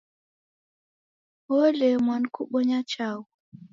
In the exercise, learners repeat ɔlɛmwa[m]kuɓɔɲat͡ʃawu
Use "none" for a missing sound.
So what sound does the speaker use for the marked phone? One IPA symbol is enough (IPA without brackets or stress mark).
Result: n